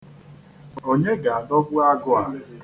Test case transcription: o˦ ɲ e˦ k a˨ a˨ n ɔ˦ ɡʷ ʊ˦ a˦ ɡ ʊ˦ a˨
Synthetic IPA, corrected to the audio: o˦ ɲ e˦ ɡ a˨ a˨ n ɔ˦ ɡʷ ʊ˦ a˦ ɡ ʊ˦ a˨